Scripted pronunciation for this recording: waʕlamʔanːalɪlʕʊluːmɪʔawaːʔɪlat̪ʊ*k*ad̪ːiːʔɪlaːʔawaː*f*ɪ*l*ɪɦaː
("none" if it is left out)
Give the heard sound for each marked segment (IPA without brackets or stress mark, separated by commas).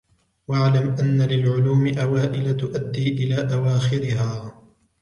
ʔ, x, ɾ